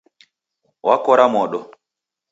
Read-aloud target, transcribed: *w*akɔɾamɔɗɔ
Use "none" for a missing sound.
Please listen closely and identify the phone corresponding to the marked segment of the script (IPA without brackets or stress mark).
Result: w